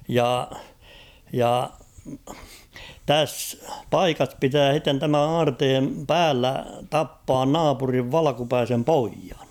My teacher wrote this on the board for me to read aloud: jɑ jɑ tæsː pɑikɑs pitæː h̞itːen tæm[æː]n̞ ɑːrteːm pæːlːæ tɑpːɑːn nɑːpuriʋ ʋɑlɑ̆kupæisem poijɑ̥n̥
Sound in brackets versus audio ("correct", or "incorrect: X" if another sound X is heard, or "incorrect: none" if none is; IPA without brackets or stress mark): incorrect: æ